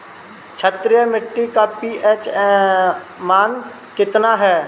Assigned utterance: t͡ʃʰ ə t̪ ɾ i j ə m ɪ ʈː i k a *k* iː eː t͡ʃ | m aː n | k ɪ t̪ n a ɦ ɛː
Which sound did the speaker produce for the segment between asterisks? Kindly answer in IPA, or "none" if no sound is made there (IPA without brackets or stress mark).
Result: p